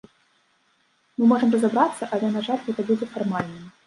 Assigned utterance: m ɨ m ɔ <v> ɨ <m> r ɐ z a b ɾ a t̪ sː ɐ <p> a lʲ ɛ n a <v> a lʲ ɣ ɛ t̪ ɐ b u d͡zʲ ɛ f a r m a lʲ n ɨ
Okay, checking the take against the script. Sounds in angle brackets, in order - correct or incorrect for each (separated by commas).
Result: incorrect, correct, incorrect, incorrect